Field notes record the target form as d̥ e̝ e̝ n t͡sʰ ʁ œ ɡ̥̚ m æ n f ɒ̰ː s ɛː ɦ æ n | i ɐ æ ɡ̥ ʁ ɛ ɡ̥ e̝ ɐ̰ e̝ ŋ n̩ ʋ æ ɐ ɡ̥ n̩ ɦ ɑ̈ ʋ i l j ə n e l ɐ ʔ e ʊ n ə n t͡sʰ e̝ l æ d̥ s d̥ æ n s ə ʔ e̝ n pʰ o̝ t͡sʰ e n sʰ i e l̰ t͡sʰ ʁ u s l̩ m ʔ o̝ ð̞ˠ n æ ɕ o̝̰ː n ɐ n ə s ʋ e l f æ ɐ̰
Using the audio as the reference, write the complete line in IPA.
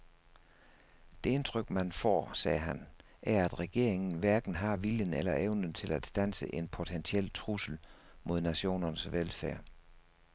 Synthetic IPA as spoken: d̥ e̝ e̝ n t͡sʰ ʁ œ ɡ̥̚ m æ n f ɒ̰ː s ɛː ɦ æ n | æ ɐ æ d̥ ʁ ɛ ɡ̥ e̝ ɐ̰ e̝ ŋ n̩ ʋ æ ɐ ɡ̥ n̩ ɦ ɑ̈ ʋ i l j ə n e l ɐ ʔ e ʊ n ə n t͡sʰ e̝ l æ d̥ s d̥ æ n s ə ʔ e̝ n pʰ o̝ t͡sʰ e n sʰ i e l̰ t͡sʰ ʁ u s l̩ m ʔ o̝ ð̞ˠ n æ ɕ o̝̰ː n ɐ n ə s ʋ e l f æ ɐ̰